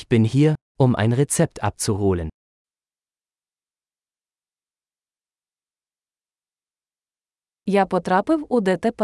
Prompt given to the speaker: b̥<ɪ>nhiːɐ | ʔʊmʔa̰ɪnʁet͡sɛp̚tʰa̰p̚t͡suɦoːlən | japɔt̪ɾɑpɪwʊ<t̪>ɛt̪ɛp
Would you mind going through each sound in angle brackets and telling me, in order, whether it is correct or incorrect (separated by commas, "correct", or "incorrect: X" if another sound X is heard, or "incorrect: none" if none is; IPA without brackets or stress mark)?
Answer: correct, incorrect: d̪